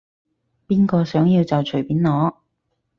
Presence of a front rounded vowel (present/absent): present